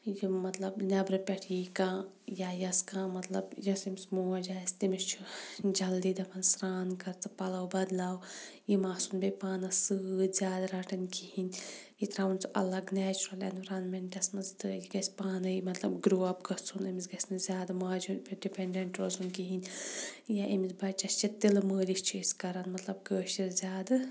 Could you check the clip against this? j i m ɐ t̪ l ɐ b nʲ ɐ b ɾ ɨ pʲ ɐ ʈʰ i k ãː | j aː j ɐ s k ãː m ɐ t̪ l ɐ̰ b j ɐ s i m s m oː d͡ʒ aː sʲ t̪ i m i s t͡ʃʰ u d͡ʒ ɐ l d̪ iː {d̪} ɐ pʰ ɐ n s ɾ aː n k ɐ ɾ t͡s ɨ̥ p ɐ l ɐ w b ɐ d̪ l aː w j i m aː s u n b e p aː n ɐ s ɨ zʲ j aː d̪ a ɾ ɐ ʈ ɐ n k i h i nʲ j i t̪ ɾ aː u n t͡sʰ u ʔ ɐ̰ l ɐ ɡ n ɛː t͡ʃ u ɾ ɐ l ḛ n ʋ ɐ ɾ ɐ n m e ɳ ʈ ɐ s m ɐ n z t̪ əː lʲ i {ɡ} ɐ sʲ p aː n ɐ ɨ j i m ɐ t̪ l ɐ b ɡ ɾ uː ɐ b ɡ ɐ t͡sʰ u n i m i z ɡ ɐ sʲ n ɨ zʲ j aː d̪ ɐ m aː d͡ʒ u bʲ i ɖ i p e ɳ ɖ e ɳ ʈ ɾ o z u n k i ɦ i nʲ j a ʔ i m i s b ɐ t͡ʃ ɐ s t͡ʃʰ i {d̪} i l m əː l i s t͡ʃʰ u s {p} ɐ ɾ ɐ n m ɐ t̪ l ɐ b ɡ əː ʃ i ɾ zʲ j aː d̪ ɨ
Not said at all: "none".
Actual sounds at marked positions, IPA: d̪, ɡ, t̪, k

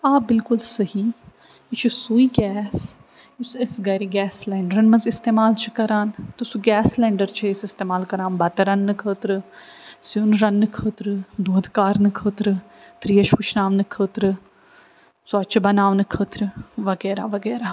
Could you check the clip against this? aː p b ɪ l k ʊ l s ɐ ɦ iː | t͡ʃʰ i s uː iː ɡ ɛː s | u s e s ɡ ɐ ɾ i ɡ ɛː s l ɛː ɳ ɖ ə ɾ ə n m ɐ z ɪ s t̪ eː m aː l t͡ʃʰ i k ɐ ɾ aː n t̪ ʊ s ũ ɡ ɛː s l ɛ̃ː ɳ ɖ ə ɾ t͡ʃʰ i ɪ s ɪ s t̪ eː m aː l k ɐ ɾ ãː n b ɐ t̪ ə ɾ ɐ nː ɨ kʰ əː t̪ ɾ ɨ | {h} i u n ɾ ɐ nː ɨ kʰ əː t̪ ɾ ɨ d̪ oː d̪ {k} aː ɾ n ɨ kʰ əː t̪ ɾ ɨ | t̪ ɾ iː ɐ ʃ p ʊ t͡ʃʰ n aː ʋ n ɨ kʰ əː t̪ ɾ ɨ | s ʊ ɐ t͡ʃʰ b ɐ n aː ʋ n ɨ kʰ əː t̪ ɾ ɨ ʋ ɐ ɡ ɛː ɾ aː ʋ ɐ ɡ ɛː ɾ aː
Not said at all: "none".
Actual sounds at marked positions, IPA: s, k

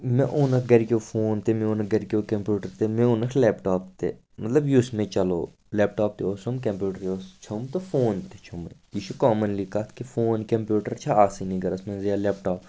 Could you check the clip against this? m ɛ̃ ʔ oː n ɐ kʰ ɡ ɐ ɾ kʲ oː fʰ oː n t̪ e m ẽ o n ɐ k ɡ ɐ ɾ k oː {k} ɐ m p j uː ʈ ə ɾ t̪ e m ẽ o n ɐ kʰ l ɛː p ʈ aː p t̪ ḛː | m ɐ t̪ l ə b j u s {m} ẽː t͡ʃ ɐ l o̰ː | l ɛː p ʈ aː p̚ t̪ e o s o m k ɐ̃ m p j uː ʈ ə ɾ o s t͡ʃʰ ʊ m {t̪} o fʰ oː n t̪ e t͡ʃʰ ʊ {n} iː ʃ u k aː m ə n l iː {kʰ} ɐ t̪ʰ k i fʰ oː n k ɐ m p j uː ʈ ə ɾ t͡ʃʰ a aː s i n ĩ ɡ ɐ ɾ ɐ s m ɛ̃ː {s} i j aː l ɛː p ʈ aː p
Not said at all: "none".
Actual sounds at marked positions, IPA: k, m, t̪, m, k, z

